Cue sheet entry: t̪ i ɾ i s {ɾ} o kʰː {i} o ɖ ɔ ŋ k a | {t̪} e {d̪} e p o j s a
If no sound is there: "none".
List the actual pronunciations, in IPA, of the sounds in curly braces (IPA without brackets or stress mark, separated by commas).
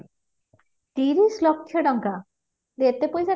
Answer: l, j, d̪, t̪